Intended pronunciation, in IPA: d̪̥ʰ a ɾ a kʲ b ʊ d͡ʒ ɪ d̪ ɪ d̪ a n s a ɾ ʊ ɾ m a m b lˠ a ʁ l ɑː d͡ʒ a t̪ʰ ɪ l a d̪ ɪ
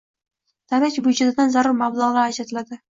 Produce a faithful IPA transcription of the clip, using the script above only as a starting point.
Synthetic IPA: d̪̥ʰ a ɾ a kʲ b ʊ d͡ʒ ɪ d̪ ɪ d̪ a n z a ɾ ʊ ɾ m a b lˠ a ʁ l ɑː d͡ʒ a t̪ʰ ɪ l a d̪ ɪ